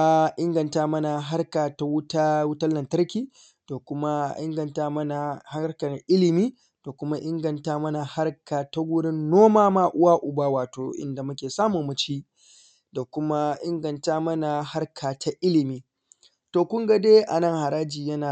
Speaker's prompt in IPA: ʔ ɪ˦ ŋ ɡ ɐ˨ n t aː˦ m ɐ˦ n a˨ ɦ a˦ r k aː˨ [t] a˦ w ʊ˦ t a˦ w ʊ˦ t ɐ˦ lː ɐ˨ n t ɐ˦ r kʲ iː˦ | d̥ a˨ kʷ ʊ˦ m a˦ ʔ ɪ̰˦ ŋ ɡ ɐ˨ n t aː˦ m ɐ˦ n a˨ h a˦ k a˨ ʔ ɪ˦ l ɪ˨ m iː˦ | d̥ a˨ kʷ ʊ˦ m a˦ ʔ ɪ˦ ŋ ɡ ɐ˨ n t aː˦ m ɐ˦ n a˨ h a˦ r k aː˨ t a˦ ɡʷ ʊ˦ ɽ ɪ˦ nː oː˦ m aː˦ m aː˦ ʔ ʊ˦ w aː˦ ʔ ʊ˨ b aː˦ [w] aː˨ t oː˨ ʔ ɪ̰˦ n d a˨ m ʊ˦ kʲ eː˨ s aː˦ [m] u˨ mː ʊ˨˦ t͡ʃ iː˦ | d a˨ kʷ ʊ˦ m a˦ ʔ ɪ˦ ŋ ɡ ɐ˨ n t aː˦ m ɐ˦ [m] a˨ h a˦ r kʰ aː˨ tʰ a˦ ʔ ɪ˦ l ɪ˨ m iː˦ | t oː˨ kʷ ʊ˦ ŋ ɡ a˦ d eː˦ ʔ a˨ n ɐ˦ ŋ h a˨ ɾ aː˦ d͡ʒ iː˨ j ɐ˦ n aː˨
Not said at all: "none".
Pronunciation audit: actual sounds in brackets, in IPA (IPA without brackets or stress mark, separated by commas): t, w, m, n